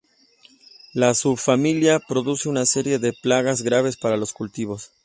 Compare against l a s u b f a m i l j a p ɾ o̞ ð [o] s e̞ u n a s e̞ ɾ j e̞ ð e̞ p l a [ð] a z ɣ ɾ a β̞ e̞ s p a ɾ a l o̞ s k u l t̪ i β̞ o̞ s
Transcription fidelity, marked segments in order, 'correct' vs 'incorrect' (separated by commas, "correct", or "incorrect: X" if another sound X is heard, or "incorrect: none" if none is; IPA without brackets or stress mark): incorrect: u, incorrect: ɣ